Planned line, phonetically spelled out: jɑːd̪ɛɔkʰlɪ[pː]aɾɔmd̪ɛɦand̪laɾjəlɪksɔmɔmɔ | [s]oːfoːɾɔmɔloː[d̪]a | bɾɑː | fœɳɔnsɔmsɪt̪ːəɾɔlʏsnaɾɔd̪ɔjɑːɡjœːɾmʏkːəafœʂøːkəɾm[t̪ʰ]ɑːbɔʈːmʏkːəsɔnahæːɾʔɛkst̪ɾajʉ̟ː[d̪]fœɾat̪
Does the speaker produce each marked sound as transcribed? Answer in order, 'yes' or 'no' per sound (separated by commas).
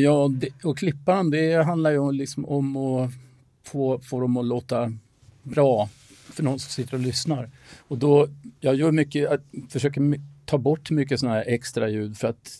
yes, no, no, yes, yes